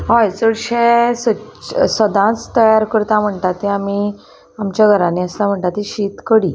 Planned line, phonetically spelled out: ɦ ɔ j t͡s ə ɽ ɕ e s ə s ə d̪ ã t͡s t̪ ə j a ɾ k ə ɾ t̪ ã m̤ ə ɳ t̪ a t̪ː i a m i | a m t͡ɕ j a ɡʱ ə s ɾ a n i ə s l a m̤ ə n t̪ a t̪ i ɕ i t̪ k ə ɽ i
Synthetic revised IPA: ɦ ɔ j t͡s ə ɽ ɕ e s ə s ə d̪ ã t͡s t̪ ə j a ɾ k ə ɾ t̪ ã m̤ ə ɳ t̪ a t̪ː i a m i | a m t͡ɕ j a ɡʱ ə ɾ a n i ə s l a m̤ ə ɳ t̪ a t̪ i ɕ i t̪ k ə ɽ i

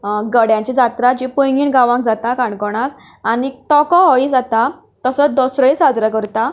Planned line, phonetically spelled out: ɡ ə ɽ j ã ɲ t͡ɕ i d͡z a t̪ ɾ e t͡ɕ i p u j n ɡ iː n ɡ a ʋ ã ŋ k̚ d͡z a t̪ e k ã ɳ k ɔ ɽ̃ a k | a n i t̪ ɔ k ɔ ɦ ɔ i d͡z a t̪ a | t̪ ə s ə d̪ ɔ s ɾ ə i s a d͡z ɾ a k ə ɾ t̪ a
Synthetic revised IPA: ɡ ə ɽ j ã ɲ t͡ɕ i d͡z a t̪ ɾ a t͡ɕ i p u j ŋ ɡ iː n ɡ a ʋ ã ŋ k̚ d͡z a t̪ a k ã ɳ k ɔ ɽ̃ a k | a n i t̪ ɔ k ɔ ɦ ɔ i d͡z a t̪ a | t̪ ə s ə d̪ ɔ s ɾ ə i s a d͡z ɾ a k ə ɾ t̪ a

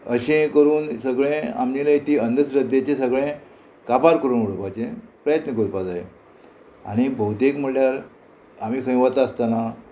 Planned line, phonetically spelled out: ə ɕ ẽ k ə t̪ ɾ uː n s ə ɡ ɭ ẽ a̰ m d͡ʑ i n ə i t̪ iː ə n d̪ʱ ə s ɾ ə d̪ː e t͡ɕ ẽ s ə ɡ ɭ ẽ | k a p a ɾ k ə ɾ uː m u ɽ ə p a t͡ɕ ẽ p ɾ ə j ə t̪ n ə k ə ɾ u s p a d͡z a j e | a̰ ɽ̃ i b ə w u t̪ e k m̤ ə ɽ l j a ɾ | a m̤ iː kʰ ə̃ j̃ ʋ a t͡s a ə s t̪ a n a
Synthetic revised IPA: ə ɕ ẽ k ə ɾ uː n s ə ɡ ɭ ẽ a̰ m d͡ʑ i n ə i t̪ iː ə n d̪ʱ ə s ɾ ə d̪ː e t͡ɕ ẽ s ə ɡ ɭ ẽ | k a p a ɾ k ə ɾ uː n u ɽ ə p a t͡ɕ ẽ p ɾ ə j ə t̪ n ə k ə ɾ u p a d͡z a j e | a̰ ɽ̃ i b ə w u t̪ e k m̤ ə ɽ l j a ɾ | a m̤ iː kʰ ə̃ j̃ ʋ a t͡s a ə s t̪ a n a

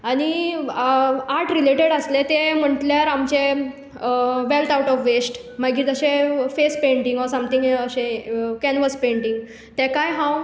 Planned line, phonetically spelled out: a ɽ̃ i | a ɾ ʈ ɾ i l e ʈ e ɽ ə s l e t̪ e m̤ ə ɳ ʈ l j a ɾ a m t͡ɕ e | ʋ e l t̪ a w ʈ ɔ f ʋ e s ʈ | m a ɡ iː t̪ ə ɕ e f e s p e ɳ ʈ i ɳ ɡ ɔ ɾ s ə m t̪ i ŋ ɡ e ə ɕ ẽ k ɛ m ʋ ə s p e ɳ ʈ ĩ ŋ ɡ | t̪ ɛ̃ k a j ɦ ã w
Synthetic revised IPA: a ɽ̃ i | a ɾ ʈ ɾ i l e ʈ e ɽ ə s l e t̪ e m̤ ə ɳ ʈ l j a ɾ a m t͡ɕ e | ʋ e l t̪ a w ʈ ɔ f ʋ e s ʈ | m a ɡ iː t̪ ə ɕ e f e s p e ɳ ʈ i ŋ ɡ ɔ ɾ s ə m t̪ i ŋ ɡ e ə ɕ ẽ k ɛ n ʋ ə s p e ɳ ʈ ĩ ŋ ɡ | t̪ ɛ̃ k a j ɦ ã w

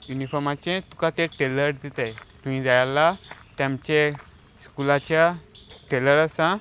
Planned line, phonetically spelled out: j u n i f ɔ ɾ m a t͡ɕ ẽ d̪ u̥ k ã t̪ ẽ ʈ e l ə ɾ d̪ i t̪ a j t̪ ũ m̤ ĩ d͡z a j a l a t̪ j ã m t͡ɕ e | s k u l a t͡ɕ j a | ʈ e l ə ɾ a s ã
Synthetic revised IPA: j u n i f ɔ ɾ m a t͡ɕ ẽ t̪ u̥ k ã t̪ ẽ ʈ e l ə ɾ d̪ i t̪ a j t̪ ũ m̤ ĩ d͡z a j a l a t̪ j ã m t͡ɕ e | s k u l a t͡ɕ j a | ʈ e l ə ɾ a s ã

